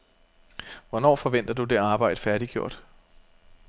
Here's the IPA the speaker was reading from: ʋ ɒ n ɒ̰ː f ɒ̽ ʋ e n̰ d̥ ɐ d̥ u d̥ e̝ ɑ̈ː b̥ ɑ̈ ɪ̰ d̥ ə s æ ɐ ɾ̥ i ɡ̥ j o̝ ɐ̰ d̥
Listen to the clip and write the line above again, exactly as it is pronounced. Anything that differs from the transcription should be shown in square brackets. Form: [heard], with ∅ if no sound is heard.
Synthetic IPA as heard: ʋ ɒ n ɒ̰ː f ɒ̽ ʋ e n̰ d̥ ɐ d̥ u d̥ e̝ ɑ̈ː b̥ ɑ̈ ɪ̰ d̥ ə [f] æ ɐ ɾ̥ i ɡ̥ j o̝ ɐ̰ d̥